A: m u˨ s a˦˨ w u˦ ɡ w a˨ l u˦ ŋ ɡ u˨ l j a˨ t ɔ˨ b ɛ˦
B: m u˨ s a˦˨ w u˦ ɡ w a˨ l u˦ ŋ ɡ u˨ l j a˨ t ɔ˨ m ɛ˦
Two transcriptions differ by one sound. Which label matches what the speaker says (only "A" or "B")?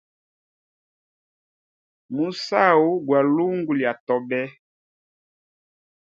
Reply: A